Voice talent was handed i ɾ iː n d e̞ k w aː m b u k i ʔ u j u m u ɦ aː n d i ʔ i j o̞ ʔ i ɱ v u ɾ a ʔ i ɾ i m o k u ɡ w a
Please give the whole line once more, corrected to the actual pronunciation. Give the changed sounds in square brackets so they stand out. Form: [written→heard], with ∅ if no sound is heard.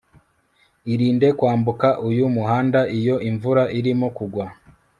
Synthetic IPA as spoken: i ɾ iː n d e̞ k w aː m b u k [i→a] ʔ u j u m u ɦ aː n d [i→a] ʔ i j o̞ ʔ i ɱ v u ɾ a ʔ i ɾ i m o k u ɡ w a